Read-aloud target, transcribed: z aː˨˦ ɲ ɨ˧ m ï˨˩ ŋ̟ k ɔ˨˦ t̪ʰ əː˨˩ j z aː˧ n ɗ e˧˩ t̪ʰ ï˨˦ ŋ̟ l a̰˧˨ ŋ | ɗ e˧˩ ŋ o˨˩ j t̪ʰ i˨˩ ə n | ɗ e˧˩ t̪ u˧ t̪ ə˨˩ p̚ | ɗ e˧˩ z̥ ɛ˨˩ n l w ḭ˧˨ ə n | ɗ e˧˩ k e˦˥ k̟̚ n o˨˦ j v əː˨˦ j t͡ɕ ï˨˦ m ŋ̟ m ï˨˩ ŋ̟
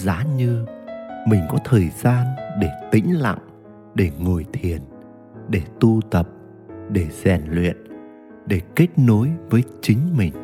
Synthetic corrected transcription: z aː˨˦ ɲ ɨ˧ m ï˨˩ ŋ̟ k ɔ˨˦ t̪ʰ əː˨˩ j z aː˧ n ɗ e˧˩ t̪ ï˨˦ ŋ̟ l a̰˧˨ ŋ | ɗ e˧˩ ŋ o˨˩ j t̪ʰ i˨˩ ə n | ɗ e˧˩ t̪ u˧ t̪ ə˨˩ p̚ | ɗ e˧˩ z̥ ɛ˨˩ n l w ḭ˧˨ ə n | ɗ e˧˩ k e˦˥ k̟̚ n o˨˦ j v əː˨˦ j t͡ɕ ï˨˦ ŋ̟ m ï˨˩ ŋ̟